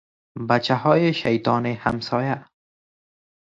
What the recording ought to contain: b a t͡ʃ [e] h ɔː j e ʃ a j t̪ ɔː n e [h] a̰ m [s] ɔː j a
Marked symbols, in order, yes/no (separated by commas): no, yes, yes